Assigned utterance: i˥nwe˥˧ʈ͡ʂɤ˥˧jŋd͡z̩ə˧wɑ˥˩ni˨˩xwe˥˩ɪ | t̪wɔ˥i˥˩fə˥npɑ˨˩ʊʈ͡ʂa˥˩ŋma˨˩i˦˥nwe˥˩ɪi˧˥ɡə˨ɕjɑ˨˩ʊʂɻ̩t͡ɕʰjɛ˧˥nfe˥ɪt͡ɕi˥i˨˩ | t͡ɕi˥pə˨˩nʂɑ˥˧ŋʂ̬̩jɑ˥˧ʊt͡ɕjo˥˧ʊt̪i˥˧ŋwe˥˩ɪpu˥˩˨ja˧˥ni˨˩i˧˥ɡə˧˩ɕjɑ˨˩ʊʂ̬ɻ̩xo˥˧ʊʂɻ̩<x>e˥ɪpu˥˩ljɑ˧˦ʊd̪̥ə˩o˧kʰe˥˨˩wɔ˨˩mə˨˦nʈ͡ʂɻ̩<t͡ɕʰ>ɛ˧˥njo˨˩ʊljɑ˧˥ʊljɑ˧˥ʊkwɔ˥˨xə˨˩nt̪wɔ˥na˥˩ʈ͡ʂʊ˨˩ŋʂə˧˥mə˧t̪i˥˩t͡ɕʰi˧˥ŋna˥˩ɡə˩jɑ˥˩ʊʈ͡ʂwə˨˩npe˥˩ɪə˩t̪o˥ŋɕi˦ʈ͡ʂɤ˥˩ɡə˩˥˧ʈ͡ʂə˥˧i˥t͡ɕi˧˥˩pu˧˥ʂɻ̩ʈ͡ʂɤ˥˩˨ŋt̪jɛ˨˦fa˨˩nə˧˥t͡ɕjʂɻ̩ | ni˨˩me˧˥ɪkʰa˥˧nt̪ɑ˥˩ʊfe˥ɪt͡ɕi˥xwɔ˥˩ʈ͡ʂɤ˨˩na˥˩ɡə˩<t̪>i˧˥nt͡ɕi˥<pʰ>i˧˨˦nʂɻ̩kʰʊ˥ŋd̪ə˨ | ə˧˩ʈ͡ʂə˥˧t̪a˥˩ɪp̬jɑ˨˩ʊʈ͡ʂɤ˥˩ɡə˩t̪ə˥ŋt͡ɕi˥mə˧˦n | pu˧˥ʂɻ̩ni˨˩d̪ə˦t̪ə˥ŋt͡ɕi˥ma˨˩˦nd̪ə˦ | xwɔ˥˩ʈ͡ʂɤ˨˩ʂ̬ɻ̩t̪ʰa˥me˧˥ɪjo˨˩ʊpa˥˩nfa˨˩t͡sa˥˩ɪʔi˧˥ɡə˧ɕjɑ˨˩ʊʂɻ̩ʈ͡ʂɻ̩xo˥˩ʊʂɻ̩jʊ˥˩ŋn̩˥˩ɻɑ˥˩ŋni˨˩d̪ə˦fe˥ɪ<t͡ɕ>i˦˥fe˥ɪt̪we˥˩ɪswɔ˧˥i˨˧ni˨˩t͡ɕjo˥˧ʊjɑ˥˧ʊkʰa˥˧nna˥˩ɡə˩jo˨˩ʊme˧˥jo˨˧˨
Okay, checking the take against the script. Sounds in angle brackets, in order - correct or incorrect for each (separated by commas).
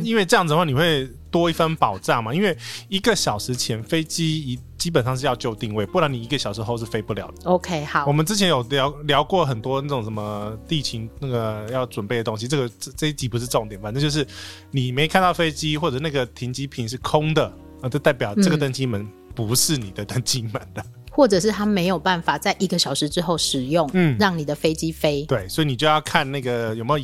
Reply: incorrect, correct, incorrect, correct, correct